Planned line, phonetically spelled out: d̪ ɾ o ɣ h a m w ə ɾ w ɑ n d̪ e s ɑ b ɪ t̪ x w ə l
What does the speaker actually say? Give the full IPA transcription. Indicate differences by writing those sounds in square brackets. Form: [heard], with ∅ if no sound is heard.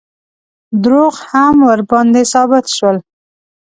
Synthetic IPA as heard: d̪ ɾ o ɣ h a m w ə ɾ [b] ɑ n d̪ e s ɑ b ɪ t̪ [ʃ] w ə l